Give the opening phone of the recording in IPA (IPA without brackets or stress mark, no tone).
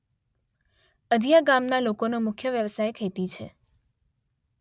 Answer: ə